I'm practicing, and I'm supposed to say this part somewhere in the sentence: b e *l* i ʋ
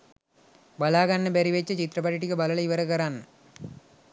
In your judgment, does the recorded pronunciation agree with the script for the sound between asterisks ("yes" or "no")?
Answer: no